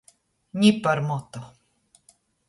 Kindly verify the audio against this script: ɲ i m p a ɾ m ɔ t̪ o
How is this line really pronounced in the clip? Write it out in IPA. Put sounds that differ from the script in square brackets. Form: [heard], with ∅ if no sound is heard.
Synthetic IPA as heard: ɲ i [∅] p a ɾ m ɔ t̪ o